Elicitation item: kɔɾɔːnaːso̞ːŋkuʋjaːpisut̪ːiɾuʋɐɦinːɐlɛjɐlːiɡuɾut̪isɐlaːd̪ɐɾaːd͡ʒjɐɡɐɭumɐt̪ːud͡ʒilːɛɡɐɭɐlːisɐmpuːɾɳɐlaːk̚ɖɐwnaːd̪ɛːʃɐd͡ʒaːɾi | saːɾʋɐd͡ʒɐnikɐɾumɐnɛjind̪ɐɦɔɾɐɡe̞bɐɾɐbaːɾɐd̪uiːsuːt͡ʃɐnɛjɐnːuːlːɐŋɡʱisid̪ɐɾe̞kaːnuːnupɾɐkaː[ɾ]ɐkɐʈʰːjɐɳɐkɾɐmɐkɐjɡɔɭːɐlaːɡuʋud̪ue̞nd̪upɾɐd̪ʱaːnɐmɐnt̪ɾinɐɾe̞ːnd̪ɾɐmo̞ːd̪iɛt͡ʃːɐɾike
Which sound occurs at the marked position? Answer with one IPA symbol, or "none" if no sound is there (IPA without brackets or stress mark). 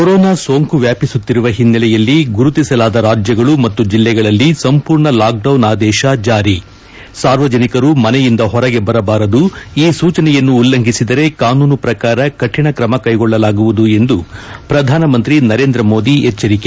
ɾ